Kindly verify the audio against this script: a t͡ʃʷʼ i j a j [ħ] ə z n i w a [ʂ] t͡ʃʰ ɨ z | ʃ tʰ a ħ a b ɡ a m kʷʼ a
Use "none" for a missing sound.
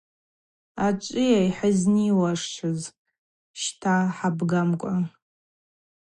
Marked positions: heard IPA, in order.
ħ, ʂ

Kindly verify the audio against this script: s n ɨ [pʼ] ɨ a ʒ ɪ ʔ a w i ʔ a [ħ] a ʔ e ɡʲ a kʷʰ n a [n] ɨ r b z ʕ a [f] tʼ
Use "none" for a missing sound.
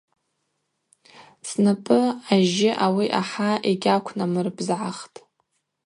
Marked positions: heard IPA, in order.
pʼ, ħ, m, χ

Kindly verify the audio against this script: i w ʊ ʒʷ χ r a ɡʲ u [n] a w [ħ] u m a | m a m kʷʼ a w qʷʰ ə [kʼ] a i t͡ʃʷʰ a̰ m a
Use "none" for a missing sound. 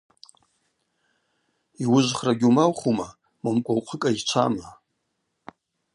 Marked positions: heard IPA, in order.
m, χ, kʼ

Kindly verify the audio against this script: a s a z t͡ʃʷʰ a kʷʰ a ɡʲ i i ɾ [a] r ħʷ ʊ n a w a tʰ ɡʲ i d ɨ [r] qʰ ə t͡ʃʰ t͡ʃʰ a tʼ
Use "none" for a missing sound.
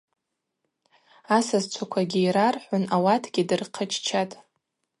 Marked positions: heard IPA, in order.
a, r

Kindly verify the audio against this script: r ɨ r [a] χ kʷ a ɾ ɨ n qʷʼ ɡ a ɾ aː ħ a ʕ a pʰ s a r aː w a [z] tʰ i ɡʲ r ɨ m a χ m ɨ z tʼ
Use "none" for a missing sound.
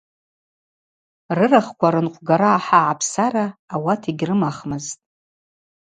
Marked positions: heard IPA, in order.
a, none

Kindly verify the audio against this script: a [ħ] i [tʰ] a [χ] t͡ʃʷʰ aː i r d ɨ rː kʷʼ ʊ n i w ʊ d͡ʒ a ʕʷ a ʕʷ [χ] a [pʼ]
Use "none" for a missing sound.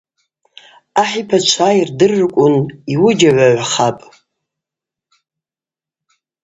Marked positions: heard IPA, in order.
ħ, pʰ, none, χ, pʼ

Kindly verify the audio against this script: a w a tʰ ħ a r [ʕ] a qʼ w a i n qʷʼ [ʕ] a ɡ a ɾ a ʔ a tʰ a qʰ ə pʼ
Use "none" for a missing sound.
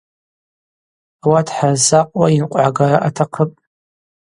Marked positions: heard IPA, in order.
z, ʕ

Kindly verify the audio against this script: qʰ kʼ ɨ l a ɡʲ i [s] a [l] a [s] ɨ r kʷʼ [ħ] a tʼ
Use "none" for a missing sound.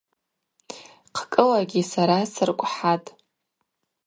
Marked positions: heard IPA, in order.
s, ɾ, s, ħ

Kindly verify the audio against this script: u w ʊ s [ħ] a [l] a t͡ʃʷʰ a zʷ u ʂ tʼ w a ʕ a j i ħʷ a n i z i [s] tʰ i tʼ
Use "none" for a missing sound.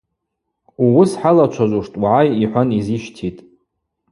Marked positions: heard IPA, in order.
ħ, l, ʃ

